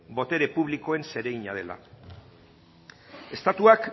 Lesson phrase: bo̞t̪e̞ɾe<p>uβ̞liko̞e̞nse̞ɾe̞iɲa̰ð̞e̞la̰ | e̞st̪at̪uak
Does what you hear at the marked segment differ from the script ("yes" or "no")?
no